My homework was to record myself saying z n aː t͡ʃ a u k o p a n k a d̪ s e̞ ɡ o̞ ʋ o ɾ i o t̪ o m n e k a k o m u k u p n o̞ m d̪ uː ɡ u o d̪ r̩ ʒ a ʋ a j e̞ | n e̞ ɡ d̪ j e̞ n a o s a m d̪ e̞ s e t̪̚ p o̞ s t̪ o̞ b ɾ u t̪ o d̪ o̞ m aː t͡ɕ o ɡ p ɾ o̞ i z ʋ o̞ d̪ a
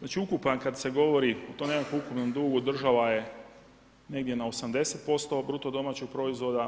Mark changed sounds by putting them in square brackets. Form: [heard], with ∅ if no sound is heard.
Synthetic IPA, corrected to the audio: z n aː t͡ʃ [i] u k [u] p a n k a d̪ s e̞ ɡ o̞ ʋ o ɾ i o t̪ o m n e k a k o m u k u p n o̞ m d̪ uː ɡ u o d̪ r̩ ʒ a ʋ a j e̞ | n e̞ ɡ d̪ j e̞ n a o s a m d̪ e̞ s e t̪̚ p o̞ s t̪ o̞ b ɾ u t̪ o d̪ o̞ m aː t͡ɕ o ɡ p ɾ o̞ i z ʋ o̞ d̪ a